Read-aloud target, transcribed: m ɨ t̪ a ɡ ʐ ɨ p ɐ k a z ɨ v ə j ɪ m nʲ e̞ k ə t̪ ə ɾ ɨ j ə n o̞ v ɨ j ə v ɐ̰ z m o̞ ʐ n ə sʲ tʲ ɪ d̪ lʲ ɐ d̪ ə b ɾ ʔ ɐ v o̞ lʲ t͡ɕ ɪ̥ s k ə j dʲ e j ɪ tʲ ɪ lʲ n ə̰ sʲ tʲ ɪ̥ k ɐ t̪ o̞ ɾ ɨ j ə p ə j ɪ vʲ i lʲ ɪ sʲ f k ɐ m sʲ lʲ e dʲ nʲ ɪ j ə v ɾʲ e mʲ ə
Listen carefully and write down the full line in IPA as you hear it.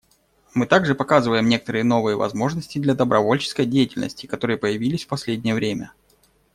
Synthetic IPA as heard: m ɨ t̪ a ɡ ʐ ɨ p ɐ k a z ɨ v ə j ɪ m nʲ e̞ k ə t̪ ə ɾ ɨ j ə n o̞ v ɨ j ə v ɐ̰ z m o̞ ʐ n ə sʲ tʲ ɪ d̪ lʲ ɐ d̪ ə b ɾ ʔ ɐ v o̞ lʲ t͡ɕ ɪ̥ s k ə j dʲ e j ɪ tʲ ɪ lʲ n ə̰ sʲ tʲ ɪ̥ k ɐ t̪ o̞ ɾ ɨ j ə p ə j ɪ vʲ i lʲ ɪ sʲ f p ɐ sʲ lʲ e dʲ nʲ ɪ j ə v ɾʲ e mʲ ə

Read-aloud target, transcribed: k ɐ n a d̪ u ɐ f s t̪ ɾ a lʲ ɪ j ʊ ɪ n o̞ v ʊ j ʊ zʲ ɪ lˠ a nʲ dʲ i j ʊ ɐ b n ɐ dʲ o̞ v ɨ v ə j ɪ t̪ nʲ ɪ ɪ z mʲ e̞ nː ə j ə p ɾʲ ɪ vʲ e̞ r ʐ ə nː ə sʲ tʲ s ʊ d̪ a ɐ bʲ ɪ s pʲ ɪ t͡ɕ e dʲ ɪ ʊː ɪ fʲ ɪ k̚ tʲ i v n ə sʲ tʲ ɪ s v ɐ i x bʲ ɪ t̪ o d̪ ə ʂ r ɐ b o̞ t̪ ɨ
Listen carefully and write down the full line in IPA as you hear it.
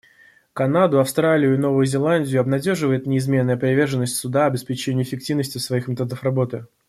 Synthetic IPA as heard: k ɐ n a d̪ ʊ ɐ f s t̪ ɾ a lʲ ɪ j ʊ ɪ n o̞ v ʊ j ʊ zʲ ɪ lˠ a nʲ dʲ ɪ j ʊ ɐ b n ɐ dʲ o̞ ʐ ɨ v ə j ɪ t̪ nʲ ɪ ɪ z mʲ e̞ nː ə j ə p ɾʲ ɪ vʲ e̞ r ʐ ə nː ə sʲ tʲ s ʊ d̪ a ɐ bʲ ɪ s pʲ ɪ t͡ɕ e nʲ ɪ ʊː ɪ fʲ ɪ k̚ tʲ i v n ə sʲ tʲ ɪ s v ɐ i x mʲ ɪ t̪ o d̪ ə f r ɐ b o̞ t̪ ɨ

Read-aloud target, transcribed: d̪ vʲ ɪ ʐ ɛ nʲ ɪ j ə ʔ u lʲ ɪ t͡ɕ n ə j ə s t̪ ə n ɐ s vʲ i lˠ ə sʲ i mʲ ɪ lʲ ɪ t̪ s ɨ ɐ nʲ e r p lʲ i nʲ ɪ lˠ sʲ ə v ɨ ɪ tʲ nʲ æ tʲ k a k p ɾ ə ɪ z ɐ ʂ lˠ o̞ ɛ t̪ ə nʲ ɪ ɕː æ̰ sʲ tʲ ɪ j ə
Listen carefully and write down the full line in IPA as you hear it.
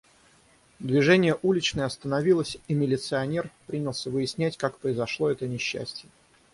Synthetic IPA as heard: d̪ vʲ ɪ ʐ ɛ nʲ ɪ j ə ʔ u lʲ ɪ t͡ɕ n ə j ɐ s t̪ ə n ɐ vʲ i lˠ ə sʲ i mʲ ɪ lʲ ɪ t̪ s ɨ ɐ nʲ e r p ɾʲ i nʲ ɪ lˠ sʲ ə v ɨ ɪ sʲ nʲ æ tʲ k a k p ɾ ə ɪ z ɐ ʂ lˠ o̞ ɛ t̪ ə nʲ ɪ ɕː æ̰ sʲ tʲ ɪ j ə

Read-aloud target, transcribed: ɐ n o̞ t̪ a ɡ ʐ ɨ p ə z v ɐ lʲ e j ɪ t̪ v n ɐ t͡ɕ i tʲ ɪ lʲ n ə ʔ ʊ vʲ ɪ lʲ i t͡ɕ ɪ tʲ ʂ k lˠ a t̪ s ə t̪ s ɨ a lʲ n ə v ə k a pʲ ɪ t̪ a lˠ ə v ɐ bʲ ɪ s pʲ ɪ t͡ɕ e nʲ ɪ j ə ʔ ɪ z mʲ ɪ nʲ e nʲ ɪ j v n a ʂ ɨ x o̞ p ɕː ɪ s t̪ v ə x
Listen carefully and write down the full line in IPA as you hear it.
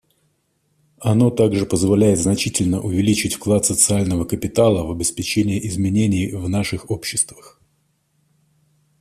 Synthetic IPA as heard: ɐ n o̞ t̪ a ɡ ʐ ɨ p ə z v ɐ lʲ æ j ɪ t̪ z n ɐ t͡ɕ i tʲ ɪ lʲ n ə ʔ ʊ vʲ ɪ lʲ i t͡ɕ ɪ tʲ f k lˠ a t̪ s ə t̪ s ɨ a lʲ n ə v ə k ə pʲ ɪ t̪ a lˠ ə v ɐ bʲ ɪ s pʲ ɪ t͡ɕ e nʲ ɪ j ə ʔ ɪ z mʲ ɪ nʲ e nʲ ɪ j v n a ʂ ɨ x o̞ p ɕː ɪ s t̪ v ə x

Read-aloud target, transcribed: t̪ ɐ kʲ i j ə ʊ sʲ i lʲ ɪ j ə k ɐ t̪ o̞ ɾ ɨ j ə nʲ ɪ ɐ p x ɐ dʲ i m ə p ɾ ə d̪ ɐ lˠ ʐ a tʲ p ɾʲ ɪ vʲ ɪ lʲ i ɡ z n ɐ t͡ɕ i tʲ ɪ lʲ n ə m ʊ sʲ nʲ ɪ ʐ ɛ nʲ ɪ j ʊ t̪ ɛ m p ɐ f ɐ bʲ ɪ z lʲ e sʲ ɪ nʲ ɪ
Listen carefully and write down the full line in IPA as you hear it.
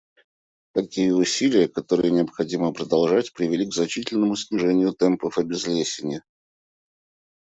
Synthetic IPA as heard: t̪ ɐ kʲ i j ə ʊ sʲ i lʲ ɪ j ə k ɐ t̪ o̞ ɾ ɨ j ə nʲ ɪ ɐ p x ɐ dʲ i m ə p ɾ ə d̪ ɐ lˠ ʐ a tʲ p ɾʲ ɪ vʲ ɪ lʲ i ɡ z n ɐ t͡ɕ i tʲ ɪ lʲ n ə m ʊ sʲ nʲ ɪ ʐ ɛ nʲ ɪ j ʊ t̪ ɛ m p ə f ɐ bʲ ɪ z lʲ e sʲ ɪ nʲ ɪ

